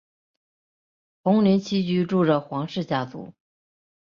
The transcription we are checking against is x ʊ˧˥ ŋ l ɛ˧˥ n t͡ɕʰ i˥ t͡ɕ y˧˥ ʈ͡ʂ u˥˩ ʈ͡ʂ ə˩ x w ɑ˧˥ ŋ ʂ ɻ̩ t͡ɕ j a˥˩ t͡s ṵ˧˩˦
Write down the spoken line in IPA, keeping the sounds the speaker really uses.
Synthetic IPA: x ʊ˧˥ ŋ l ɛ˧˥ n t͡ɕʰ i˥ t͡ɕ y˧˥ ʈ͡ʂ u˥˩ ʈ͡ʂ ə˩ x w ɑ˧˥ ŋ ʂ ɻ̩ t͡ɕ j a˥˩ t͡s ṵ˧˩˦